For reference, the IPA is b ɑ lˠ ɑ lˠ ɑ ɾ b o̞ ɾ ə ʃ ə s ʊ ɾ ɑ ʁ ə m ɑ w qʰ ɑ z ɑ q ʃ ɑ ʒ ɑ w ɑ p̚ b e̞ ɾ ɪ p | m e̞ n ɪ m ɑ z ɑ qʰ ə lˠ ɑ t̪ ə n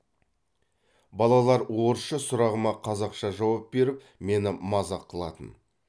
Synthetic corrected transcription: b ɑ lˠ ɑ lˠ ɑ ɾ w o̞ ɾ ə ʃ ə s ʊ ɾ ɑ ʁ ə m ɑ qʰ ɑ z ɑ q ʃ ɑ ʒ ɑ w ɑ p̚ b e̞ ɾ ɪ p | m e̞ n ɪ m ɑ z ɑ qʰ ə lˠ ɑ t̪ ə n